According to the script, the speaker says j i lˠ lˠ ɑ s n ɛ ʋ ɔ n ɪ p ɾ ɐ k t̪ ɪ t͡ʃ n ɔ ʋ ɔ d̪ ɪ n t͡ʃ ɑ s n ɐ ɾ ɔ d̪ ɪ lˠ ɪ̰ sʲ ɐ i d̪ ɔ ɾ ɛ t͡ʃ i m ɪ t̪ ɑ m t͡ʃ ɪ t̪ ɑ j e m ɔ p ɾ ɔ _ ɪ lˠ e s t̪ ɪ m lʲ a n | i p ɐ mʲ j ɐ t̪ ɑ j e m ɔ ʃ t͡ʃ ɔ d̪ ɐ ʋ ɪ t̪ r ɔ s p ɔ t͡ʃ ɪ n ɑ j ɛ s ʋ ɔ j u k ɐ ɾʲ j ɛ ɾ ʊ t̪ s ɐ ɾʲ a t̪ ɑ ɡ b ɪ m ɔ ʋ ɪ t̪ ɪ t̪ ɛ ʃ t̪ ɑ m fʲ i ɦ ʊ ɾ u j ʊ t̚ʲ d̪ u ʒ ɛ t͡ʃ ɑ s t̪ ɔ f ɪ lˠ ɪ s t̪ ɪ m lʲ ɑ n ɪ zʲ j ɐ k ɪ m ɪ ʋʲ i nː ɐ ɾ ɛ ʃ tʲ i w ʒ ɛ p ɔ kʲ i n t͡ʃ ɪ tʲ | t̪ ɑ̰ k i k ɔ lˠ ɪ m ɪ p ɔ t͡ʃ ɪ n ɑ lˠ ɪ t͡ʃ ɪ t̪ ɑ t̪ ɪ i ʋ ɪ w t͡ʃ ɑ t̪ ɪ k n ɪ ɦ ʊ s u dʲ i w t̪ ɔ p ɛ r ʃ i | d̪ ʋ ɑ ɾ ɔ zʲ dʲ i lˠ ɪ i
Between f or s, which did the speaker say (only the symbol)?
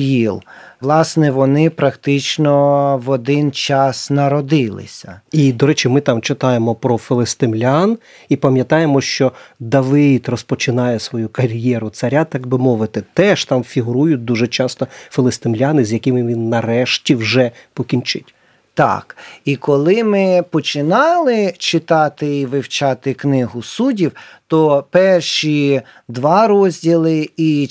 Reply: f